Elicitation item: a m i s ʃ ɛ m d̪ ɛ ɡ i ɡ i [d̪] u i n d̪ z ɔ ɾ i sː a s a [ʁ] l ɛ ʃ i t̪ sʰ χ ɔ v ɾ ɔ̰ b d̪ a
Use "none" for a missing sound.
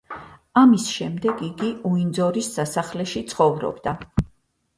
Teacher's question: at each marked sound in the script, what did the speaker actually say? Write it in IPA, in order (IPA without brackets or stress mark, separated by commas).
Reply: none, χ